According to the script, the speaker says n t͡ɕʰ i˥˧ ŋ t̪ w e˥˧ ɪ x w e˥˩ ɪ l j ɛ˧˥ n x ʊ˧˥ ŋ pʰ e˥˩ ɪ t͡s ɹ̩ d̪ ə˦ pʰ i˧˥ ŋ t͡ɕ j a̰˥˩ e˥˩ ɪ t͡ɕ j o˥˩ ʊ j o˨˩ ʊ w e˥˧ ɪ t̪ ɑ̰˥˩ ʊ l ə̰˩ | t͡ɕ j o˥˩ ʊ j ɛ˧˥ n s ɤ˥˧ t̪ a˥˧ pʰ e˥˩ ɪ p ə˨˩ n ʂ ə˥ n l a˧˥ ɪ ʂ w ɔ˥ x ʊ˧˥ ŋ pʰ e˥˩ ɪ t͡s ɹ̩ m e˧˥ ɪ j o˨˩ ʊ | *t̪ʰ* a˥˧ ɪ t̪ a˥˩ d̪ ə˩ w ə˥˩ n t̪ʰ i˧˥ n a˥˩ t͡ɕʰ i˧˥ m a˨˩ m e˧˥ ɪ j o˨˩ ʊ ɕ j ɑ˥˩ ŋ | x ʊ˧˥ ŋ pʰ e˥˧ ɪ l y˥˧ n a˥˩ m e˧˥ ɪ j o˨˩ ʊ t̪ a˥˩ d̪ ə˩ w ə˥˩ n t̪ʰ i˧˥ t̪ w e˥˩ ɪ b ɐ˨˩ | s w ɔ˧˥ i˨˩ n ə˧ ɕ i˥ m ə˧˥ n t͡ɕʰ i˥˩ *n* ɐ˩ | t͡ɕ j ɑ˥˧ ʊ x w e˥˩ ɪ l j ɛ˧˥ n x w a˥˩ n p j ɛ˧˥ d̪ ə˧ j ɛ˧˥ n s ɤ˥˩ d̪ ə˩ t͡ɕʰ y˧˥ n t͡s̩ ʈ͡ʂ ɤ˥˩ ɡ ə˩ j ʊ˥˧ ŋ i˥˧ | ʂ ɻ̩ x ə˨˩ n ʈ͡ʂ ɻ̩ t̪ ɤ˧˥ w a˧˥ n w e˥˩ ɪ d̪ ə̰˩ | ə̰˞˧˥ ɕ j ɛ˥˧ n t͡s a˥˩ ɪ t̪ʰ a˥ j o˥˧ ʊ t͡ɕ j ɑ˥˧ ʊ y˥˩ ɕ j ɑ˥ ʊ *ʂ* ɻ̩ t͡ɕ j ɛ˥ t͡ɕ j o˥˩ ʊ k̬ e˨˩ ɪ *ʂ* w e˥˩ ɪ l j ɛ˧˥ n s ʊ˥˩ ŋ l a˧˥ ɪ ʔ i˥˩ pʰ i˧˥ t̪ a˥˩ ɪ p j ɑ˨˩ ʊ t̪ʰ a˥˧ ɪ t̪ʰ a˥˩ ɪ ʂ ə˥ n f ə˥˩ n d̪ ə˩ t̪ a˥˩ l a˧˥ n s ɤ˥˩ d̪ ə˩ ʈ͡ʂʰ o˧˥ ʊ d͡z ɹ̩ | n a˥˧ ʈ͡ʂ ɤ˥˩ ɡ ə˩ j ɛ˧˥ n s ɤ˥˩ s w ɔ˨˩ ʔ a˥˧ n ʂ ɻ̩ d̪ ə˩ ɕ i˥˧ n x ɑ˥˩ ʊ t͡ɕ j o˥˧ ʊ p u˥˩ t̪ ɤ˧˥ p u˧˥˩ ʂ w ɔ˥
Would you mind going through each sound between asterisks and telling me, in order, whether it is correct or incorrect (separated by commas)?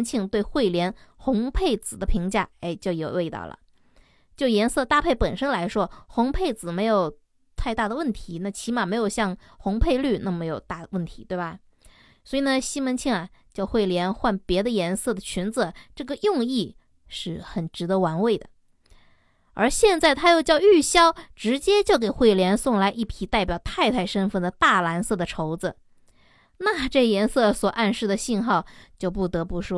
correct, incorrect, incorrect, incorrect